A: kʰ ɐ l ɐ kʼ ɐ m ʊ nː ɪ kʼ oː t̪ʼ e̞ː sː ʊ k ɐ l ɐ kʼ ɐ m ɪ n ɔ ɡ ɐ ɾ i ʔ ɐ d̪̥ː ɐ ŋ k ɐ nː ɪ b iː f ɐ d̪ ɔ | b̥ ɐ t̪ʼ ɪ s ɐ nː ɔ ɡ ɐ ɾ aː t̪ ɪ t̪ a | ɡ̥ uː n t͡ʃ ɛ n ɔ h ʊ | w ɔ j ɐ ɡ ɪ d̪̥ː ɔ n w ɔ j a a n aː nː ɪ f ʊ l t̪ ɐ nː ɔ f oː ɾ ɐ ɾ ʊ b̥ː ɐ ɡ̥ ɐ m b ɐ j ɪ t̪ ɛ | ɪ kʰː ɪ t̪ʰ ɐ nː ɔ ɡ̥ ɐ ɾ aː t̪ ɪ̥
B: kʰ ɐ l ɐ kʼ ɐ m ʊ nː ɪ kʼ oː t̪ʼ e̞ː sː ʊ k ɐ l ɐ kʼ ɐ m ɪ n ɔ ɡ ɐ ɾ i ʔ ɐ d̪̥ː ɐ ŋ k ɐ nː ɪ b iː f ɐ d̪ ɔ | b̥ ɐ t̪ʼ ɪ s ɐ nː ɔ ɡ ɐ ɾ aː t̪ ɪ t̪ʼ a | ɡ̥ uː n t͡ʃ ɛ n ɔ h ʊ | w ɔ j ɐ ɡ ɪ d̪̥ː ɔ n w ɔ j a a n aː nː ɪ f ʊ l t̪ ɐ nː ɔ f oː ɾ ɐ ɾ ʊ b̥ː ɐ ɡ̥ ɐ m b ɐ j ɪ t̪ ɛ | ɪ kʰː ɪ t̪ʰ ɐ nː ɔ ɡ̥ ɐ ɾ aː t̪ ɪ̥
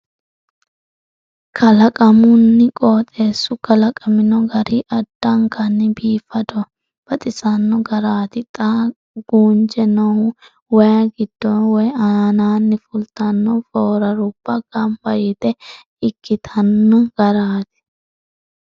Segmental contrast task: B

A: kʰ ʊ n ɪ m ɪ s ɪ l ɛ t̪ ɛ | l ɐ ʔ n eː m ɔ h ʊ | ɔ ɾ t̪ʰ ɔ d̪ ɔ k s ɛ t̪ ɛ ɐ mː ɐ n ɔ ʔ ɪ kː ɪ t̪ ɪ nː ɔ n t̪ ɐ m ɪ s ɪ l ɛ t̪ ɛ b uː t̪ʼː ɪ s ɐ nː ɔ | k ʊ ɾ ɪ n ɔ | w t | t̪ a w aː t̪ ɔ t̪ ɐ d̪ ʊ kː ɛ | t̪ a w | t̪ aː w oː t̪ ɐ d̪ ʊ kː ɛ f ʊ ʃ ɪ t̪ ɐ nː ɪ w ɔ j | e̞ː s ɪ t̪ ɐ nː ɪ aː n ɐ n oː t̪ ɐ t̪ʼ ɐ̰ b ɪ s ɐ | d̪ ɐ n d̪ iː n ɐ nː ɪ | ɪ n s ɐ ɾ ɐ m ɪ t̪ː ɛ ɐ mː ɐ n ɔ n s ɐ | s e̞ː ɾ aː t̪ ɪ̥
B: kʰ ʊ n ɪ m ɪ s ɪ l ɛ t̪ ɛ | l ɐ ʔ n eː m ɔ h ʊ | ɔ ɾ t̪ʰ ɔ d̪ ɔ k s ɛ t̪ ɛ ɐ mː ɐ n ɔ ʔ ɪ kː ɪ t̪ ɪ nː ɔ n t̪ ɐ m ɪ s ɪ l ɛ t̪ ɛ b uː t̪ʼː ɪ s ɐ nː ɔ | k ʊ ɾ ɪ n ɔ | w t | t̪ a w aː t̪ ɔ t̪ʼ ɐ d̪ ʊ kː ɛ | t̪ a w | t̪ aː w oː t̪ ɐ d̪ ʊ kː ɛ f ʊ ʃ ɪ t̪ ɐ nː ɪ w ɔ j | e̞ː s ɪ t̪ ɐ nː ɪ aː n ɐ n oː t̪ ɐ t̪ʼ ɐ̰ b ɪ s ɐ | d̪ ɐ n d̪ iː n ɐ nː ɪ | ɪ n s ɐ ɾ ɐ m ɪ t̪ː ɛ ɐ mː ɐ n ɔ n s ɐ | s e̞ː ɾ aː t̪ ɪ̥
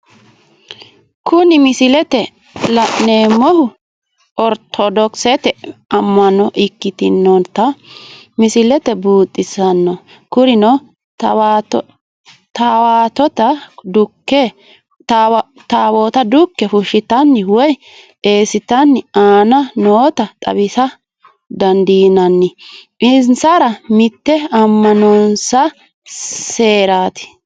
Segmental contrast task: A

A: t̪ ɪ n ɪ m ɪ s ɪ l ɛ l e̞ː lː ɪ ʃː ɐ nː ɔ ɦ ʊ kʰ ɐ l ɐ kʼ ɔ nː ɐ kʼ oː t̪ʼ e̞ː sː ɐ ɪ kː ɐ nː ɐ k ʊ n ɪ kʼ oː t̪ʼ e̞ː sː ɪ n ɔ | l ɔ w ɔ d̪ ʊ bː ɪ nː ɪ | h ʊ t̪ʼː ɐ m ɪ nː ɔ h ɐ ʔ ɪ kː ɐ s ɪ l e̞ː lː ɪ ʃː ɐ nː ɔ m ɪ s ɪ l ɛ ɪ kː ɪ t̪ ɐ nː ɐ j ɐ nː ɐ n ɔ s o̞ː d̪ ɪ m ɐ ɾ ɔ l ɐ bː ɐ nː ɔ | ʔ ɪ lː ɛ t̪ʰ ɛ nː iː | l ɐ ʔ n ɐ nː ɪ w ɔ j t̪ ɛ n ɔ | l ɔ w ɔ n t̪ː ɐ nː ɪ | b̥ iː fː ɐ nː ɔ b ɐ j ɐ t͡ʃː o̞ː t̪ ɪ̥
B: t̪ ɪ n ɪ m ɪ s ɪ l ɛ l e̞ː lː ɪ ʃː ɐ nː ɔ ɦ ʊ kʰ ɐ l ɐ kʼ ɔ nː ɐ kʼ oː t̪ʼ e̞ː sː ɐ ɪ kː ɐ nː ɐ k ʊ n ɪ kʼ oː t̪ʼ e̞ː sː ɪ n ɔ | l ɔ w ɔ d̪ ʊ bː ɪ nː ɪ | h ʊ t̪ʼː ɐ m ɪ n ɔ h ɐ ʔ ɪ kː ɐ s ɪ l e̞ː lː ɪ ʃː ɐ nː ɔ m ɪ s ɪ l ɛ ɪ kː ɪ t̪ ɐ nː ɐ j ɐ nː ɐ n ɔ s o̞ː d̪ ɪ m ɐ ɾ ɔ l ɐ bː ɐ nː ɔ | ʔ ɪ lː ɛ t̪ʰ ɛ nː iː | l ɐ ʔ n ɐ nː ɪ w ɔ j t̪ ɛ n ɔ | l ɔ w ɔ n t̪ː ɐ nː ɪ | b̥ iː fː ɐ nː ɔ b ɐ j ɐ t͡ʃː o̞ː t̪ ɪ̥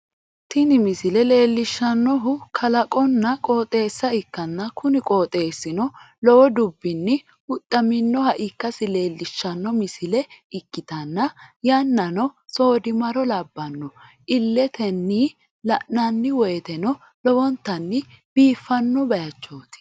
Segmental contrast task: A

